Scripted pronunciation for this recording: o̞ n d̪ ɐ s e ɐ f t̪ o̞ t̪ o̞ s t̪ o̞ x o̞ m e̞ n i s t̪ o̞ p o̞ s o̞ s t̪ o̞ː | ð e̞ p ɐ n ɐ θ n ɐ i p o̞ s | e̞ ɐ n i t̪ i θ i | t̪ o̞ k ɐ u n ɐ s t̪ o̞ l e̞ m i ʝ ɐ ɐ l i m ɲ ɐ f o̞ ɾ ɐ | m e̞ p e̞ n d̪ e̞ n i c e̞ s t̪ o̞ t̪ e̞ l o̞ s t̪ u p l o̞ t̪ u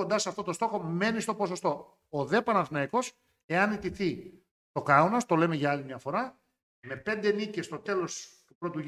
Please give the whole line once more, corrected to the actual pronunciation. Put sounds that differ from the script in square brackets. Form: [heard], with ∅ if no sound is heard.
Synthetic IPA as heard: o̞ n d̪ ɐ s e ɐ f t̪ o̞ t̪ o̞ s t̪ o̞ x o̞ m e̞ n i s t̪ o̞ p o̞ s o̞ s t̪ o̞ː | ð e̞ p ɐ n ɐ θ n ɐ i [k] o̞ s | e̞ ɐ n i t̪ i θ i | t̪ o̞ k ɐ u n ɐ s t̪ o̞ l e̞ m [e] ʝ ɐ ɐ l i m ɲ ɐ f o̞ ɾ ɐ | m e̞ p e̞ n d̪ e̞ n i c e̞ s t̪ o̞ t̪ e̞ l o̞ s t̪ u p [ɾ] o̞ t̪ u